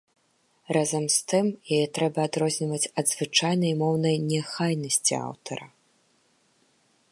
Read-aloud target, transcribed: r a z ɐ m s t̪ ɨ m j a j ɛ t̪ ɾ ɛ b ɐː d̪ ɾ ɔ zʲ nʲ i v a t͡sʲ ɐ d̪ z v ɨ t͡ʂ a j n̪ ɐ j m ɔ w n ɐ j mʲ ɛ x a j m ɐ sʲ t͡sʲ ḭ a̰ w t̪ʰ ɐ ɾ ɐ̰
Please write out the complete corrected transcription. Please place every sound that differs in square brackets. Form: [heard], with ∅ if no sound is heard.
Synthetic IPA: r a z ɐ m s t̪ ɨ m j a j ɛ t̪ ɾ ɛ b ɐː d̪ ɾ ɔ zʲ nʲ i v [ɐ] t͡sʲ ɐ d̪ z v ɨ t͡ʂ a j n̪ ɐ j m ɔ w n ɐ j [nʲ] ɛ x a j [n] ɐ sʲ t͡sʲ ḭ a̰ w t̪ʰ ɐ ɾ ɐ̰

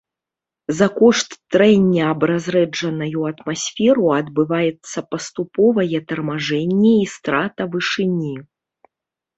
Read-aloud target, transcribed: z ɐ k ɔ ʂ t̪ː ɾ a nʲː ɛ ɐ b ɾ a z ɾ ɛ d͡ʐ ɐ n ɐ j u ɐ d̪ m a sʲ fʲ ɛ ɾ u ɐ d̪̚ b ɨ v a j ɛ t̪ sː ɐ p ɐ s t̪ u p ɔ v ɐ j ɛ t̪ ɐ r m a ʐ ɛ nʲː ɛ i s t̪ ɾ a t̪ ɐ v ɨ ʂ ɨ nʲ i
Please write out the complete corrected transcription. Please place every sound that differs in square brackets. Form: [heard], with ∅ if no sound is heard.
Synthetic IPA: z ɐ k ɔ ʂ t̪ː ɾ [ɛ] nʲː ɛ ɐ b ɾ a z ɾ ɛ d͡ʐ ɐ n ɐ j u ɐ [t̪] m a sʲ fʲ ɛ ɾ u ɐ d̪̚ b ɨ v a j ɛ t̪ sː ɐ p ɐ s t̪ u p ɔ v ɐ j ɛ t̪ ɐ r m a ʐ ɛ nʲː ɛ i s t̪ ɾ a t̪ ɐ v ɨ ʂ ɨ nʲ i

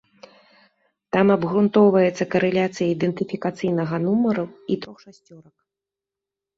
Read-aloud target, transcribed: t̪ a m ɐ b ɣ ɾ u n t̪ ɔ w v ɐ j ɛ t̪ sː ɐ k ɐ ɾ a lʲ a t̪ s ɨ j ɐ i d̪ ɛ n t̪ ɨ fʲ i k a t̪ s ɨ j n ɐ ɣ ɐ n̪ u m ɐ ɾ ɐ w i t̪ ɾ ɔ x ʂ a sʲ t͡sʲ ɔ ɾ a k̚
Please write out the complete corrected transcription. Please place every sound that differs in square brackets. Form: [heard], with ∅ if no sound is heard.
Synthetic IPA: t̪ a m ɐ b ɣ ɾ u n t̪ ɔ w v ɐ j ɛ t̪ sː ɐ k ɐ ɾ [ɛ] lʲ a t̪ s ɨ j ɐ i d̪ ɛ n t̪ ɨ fʲ i k a t̪ s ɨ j n ɐ ɣ ɐ n̪ u m ɐ ɾ ɐ w i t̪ ɾ ɔ x ʂ a sʲ t͡sʲ ɔ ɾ [ɐ] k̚

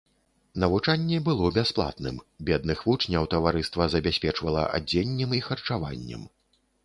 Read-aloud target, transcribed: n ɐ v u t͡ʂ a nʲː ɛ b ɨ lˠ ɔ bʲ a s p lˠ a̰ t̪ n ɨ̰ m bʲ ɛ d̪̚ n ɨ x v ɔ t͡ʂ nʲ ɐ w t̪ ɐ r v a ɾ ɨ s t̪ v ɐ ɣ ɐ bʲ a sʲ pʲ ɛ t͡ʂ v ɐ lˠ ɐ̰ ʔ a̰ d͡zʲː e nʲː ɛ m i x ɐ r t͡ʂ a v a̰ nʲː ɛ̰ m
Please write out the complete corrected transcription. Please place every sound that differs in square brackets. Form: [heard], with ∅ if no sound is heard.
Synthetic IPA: n ɐ v u t͡ʂ a nʲː ɛ b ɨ lˠ ɔ bʲ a s p lˠ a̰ t̪ n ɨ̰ m bʲ ɛ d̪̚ n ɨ x v [u] t͡ʂ nʲ ɐ w t̪ ɐ [∅] v a ɾ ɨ s t̪ v ɐ [z] ɐ bʲ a sʲ pʲ ɛ t͡ʂ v ɐ lˠ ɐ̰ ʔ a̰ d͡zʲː e nʲː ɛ m i x ɐ r t͡ʂ a v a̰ nʲː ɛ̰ m

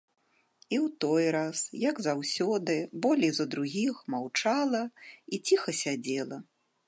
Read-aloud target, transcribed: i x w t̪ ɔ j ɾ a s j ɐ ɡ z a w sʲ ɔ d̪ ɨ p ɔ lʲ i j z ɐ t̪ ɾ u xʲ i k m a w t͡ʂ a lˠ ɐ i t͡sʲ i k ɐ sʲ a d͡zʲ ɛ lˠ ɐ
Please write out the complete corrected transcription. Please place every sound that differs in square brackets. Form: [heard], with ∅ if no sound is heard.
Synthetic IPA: i [∅] w t̪ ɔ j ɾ a s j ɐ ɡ z a w sʲ ɔ d̪ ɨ [b] ɔ lʲ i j z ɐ [d̪] ɾ u [ɣʲ] i [x] m a w t͡ʂ a lˠ ɐ i t͡sʲ i [x] ɐ sʲ a d͡zʲ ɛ lˠ ɐ

